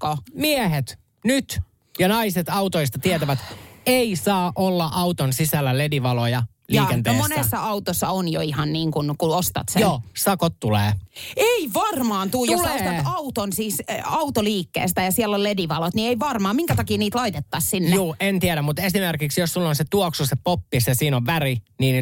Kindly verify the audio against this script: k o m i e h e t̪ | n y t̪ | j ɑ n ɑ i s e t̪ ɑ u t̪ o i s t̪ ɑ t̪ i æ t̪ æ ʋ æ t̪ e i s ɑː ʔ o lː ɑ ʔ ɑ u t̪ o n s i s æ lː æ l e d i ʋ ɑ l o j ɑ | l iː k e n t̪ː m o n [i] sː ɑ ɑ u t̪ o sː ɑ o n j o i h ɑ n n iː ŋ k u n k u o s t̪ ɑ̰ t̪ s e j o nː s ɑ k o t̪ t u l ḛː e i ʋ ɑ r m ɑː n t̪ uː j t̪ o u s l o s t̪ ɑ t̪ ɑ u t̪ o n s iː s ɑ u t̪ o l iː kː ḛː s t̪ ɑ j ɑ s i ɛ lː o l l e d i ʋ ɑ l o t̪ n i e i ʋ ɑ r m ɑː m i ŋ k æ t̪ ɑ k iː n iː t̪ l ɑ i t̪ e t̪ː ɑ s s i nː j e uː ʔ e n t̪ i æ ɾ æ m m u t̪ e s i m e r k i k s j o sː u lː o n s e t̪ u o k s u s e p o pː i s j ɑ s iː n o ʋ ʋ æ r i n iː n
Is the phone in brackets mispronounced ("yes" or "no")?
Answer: yes